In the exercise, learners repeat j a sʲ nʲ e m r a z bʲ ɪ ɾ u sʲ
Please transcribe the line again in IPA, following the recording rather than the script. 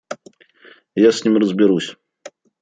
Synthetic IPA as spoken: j a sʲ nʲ i m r ə z bʲ ɪ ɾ u sʲ